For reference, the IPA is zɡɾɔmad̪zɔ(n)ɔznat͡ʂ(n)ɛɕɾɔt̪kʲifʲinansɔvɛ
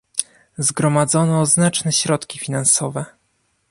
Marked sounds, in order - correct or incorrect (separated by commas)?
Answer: correct, correct